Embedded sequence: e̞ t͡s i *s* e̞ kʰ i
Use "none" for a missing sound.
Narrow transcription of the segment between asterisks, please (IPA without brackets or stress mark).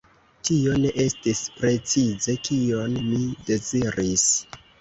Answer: z